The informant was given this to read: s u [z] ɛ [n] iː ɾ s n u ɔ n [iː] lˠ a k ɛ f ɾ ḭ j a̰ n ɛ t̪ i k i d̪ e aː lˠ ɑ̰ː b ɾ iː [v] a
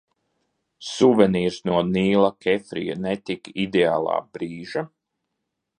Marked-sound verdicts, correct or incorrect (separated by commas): incorrect, correct, correct, incorrect